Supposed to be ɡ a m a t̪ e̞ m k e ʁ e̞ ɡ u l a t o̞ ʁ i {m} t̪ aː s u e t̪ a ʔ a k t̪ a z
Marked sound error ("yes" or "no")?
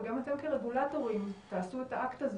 no